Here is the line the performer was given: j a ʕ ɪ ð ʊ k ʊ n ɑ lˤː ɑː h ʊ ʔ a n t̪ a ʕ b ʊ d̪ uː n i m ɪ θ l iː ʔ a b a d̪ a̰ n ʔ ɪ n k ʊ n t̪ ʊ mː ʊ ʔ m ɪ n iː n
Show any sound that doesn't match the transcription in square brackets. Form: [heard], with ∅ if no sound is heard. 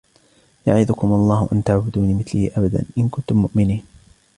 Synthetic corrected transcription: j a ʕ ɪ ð ʊ k ʊ [m] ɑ lˤː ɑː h ʊ ʔ a n t̪ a ʕ b ʊ d̪ uː n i m ɪ θ l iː ʔ a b a d̪ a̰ n ʔ ɪ n k ʊ n t̪ ʊ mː ʊ ʔ m ɪ n iː n